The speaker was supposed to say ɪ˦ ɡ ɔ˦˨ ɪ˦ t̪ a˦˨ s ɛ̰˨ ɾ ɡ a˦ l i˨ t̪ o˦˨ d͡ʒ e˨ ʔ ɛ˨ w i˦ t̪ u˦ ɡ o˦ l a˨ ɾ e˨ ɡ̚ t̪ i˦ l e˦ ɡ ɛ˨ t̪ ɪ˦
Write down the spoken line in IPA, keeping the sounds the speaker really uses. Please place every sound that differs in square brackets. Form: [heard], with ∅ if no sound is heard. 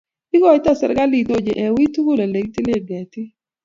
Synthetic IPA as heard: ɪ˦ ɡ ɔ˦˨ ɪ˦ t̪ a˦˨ s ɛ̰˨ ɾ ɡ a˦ l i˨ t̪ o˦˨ d͡ʒ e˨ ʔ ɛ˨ w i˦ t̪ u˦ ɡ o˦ l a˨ [l] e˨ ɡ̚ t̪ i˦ l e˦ ɡ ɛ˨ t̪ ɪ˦